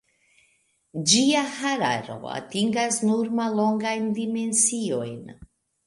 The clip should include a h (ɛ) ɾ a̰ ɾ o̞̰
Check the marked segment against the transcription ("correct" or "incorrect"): incorrect